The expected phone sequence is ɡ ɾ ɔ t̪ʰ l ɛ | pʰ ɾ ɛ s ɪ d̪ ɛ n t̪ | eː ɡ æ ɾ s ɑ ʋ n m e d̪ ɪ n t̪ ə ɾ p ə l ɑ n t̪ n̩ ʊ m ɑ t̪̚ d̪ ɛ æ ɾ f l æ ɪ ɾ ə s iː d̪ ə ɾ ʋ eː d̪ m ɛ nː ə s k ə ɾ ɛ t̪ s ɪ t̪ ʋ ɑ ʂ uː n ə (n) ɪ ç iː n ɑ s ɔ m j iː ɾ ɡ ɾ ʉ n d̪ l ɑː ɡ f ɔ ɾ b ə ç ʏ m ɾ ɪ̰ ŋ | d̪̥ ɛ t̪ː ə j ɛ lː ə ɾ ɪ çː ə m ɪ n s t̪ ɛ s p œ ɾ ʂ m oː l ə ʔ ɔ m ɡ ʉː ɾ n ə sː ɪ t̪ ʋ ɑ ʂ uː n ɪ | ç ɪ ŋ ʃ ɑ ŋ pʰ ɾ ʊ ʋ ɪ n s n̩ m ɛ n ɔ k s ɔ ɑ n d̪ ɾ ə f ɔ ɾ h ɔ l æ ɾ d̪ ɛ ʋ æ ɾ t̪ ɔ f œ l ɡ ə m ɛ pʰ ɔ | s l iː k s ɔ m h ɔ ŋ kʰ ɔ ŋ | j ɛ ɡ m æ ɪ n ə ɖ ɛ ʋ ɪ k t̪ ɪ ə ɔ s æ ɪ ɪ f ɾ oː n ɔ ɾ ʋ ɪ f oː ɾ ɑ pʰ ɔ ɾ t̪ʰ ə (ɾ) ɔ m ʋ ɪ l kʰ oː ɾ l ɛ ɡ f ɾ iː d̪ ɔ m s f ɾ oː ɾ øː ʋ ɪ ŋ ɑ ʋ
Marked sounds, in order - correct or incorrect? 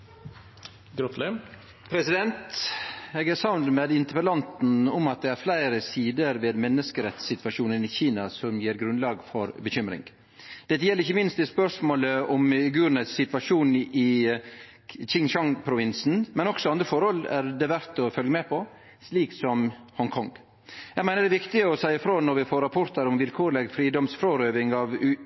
correct, correct

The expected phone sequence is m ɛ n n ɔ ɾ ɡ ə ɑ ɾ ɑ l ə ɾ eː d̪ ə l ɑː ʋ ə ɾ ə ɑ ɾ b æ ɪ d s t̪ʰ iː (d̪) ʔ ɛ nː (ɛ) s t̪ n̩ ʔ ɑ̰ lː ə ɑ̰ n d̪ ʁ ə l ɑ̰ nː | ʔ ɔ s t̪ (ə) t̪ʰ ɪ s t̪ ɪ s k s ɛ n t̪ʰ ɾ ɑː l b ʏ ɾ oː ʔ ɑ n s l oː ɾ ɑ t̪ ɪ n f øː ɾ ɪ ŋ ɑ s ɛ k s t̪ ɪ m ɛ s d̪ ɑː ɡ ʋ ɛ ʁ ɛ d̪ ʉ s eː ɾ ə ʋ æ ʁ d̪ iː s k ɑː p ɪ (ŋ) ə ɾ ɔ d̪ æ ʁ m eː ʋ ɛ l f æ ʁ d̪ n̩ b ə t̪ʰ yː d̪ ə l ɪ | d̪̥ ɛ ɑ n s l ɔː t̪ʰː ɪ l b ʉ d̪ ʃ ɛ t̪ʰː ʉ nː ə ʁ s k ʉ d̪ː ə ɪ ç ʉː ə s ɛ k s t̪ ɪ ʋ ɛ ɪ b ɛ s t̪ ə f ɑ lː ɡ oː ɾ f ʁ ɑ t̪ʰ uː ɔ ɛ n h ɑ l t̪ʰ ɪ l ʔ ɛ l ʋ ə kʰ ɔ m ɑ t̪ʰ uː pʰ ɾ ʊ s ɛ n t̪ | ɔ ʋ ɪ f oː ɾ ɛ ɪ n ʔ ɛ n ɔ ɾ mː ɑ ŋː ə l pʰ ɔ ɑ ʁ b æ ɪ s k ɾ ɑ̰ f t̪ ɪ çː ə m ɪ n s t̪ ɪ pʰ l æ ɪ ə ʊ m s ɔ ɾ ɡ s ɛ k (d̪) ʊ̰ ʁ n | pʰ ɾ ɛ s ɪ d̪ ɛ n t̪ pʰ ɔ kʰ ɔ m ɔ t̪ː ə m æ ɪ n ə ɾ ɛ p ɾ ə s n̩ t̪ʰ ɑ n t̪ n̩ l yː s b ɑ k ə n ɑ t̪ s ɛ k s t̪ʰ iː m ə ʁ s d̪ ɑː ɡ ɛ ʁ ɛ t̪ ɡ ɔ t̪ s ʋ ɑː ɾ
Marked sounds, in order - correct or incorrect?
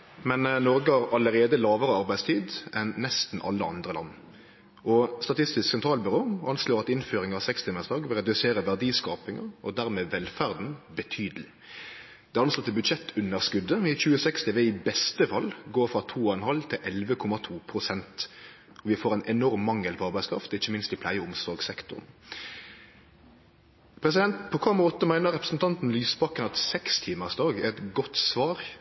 correct, correct, incorrect, correct, incorrect

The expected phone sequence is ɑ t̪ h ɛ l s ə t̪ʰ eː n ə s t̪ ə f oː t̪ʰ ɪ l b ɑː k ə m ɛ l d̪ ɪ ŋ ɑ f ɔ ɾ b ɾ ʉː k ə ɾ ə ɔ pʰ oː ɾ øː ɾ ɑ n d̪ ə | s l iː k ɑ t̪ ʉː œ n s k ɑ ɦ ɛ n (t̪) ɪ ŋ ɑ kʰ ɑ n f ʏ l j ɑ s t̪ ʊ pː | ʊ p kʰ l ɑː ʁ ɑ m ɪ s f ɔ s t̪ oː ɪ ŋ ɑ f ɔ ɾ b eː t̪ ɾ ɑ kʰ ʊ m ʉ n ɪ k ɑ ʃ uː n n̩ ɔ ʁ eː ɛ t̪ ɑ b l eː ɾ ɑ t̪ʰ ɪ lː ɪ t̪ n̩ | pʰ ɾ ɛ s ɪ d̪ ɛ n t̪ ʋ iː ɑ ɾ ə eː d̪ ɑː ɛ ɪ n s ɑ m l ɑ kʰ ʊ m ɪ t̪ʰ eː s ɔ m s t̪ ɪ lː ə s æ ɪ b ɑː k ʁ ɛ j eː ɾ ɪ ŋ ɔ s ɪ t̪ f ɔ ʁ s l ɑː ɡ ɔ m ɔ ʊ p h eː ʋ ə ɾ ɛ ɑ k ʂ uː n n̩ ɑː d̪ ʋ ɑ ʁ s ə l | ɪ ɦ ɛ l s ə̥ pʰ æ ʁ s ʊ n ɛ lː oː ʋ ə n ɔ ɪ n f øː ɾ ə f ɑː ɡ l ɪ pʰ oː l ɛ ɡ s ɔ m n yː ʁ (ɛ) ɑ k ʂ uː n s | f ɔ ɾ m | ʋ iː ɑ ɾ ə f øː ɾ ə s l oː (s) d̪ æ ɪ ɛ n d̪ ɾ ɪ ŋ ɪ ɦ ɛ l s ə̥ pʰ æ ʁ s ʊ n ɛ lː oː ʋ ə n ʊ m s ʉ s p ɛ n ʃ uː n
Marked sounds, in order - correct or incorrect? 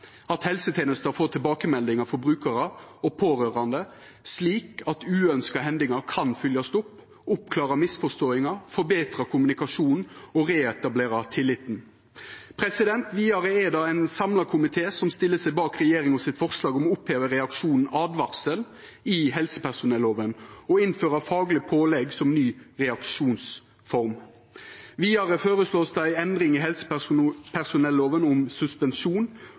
incorrect, correct, correct

